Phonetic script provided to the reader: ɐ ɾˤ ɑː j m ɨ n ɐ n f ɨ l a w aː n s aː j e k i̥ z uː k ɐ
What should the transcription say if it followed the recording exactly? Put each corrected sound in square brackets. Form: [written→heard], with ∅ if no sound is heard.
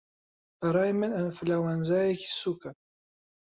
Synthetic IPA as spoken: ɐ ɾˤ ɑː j m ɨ n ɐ n f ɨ l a w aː n [s→z] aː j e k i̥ [z→s] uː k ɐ

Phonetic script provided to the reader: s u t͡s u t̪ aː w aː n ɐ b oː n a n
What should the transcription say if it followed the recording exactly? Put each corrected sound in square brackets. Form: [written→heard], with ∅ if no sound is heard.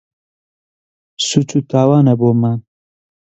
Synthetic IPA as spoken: s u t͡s u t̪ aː w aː n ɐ b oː [n→m] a n

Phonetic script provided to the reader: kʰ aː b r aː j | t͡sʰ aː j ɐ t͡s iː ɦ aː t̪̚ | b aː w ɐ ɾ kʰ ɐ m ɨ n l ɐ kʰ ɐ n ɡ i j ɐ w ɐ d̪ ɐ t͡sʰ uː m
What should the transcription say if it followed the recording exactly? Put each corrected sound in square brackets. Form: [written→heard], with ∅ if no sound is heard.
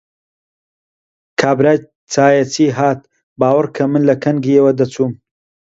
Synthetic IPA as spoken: kʰ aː b [r→ɾ] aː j | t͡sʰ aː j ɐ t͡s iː ɦ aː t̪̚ | b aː w ɐ ɾ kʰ ɐ m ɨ n l ɐ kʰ ɐ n ɡ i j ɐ w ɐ d̪ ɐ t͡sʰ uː m

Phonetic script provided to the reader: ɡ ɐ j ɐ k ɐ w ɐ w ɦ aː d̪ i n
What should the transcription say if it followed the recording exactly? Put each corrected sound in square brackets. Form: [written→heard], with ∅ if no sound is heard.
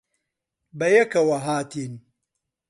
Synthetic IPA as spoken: [ɡ→b] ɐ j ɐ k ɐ w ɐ [w→∅] ɦ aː [d̪→t̪] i n

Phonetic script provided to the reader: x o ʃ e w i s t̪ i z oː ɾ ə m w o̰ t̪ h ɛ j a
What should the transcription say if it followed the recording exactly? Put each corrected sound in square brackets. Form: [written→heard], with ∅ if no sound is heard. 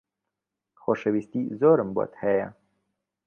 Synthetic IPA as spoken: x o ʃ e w i s t̪ i z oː ɾ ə m [w→b] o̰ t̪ h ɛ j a

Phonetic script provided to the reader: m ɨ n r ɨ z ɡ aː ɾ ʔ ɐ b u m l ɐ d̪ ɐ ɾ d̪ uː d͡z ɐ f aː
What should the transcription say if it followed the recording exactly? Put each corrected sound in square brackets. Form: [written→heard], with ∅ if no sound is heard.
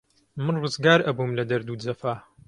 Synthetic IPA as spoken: m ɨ n r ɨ z ɡ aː ɾ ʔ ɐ b u m l ɐ d̪ ɐ ɾ d̪ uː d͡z ɐ f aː

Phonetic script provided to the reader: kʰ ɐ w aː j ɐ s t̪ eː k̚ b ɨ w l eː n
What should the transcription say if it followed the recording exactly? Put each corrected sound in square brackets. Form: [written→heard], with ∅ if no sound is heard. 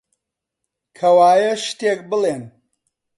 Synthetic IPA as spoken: kʰ ɐ w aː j ɐ [s→ʃ] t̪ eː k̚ b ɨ [w→∅] l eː n

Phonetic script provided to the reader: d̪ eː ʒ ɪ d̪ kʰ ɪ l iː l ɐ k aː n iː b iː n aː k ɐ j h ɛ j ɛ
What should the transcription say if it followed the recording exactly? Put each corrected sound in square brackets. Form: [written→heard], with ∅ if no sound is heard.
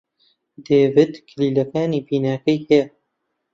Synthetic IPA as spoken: d̪ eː [ʒ→v] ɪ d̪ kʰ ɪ l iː l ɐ k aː n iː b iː n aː k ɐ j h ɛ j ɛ

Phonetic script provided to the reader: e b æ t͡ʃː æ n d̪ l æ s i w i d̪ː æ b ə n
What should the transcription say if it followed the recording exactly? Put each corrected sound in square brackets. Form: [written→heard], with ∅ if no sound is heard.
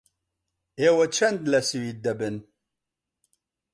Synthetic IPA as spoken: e [b→w] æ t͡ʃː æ n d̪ l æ s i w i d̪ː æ b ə n

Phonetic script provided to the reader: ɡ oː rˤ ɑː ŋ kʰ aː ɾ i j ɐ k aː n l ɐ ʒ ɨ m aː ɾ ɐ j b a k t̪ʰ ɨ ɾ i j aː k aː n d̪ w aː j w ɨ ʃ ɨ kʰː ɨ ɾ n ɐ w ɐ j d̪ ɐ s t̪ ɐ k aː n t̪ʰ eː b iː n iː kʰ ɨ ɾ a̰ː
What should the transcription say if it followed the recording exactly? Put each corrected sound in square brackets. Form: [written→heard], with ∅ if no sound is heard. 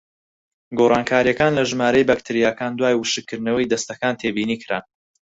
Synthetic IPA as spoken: ɡ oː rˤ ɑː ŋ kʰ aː ɾ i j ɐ k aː n l ɐ ʒ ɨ m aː ɾ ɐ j b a k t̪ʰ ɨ ɾ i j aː k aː n d̪ w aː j w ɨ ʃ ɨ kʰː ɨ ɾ n ɐ w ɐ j d̪ ɐ s t̪ ɐ k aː n t̪ʰ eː b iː n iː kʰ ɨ ɾ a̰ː

